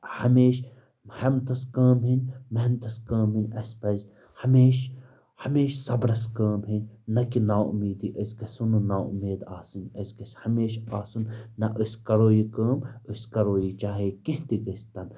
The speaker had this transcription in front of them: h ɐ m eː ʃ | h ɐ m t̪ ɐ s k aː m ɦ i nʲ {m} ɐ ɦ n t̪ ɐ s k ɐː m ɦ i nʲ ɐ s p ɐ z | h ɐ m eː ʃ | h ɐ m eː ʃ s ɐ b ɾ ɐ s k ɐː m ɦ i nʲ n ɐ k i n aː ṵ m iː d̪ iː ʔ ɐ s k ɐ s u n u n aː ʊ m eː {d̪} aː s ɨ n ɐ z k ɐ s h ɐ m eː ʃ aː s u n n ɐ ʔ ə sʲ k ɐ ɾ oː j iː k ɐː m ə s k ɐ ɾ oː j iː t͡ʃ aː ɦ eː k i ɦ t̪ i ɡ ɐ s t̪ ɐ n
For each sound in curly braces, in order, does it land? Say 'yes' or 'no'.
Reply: yes, yes

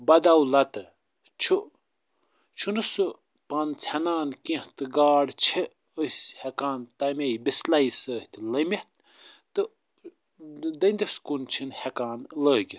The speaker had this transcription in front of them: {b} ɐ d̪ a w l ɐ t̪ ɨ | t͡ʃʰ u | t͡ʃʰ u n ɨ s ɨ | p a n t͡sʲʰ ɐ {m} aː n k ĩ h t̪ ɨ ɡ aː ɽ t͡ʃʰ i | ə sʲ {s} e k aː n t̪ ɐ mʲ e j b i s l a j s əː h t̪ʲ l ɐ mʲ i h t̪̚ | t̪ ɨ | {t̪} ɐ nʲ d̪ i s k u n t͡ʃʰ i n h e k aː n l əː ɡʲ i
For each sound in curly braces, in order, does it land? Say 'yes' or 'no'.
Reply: yes, no, no, no

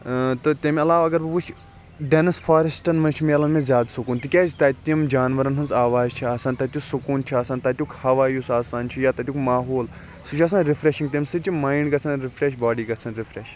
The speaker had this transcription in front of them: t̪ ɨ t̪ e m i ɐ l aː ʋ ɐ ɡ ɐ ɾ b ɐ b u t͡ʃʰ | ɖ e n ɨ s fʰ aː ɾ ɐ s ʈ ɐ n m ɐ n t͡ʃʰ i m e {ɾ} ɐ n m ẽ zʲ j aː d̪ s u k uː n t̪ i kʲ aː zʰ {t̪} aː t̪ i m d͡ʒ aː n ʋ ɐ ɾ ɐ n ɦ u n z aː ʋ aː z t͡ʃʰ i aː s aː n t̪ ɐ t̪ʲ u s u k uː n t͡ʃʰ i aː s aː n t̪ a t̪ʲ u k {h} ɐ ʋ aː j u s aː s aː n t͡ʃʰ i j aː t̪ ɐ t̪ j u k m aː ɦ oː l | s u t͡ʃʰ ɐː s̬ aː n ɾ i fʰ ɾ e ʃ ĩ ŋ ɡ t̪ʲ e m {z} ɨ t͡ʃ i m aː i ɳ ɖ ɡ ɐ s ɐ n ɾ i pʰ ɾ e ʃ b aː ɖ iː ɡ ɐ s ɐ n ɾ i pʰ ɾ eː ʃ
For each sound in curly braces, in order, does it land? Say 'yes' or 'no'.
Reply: no, yes, yes, no

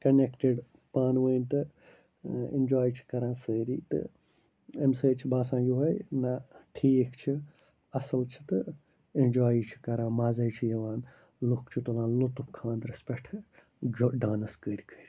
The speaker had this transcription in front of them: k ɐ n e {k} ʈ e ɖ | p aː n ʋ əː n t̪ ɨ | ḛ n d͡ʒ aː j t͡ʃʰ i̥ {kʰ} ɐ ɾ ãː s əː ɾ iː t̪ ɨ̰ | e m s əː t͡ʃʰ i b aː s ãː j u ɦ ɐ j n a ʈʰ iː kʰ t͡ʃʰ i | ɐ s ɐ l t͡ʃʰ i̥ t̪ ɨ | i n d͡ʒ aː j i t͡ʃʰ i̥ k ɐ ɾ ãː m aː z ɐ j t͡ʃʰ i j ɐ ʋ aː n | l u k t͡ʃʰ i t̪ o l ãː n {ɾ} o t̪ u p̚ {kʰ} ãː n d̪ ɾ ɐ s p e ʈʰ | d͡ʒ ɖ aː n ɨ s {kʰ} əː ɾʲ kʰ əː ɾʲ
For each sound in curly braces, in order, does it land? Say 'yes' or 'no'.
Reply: yes, no, no, yes, no

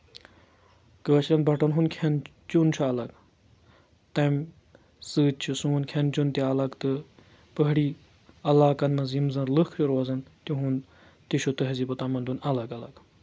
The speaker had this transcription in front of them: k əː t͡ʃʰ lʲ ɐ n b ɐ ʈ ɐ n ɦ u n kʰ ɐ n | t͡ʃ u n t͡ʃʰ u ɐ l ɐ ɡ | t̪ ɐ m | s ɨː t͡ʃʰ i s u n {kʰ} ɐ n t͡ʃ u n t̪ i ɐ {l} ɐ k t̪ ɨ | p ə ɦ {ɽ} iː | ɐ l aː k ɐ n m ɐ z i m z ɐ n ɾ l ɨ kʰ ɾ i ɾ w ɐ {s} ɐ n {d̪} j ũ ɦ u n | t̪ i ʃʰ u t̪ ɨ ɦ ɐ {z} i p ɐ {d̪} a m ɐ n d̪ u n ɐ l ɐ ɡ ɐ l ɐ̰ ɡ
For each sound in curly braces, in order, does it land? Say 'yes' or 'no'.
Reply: yes, yes, yes, no, no, yes, no

